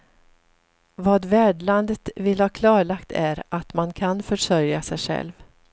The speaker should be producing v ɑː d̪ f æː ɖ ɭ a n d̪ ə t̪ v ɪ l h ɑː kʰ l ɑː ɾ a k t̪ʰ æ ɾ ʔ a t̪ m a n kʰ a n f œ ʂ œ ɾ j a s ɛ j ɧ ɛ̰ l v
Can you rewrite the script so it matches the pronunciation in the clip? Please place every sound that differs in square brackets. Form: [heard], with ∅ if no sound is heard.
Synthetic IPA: v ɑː d̪ [v] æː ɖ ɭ a n d̪ ə t̪ v ɪ l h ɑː kʰ l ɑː [ɭ] a k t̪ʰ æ ɾ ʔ a t̪ m a n kʰ a n f œ ʂ œ ɾ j a s ɛ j ɧ ɛ̰ l v